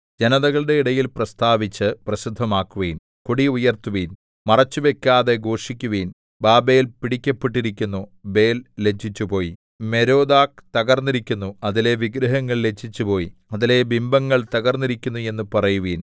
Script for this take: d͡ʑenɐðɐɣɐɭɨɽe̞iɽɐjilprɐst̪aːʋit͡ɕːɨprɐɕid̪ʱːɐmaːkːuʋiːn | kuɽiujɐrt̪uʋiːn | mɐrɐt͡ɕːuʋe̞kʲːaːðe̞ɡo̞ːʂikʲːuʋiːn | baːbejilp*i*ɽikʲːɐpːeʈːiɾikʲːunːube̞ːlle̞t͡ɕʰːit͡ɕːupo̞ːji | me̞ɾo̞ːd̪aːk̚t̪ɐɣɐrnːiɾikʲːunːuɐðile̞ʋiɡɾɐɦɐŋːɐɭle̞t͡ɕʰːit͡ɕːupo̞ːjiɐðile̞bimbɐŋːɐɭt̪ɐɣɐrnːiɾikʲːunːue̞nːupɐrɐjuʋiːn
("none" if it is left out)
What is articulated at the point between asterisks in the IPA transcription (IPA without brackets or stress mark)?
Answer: i